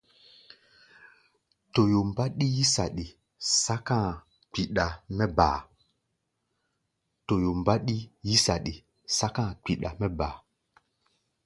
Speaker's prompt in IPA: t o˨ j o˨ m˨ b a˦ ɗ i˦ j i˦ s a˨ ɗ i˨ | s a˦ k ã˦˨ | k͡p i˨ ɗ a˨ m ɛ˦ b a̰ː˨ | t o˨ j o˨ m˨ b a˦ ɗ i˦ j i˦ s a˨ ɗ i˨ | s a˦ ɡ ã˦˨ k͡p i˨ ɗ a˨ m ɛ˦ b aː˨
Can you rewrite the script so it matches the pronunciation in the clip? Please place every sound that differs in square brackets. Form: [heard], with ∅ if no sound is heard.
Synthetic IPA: t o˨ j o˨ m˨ b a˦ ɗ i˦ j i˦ s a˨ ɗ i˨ | s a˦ k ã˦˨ | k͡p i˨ ɗ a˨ m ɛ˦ b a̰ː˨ | t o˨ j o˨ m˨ b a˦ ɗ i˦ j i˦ s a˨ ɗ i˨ | s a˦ [k] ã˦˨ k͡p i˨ ɗ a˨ m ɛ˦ b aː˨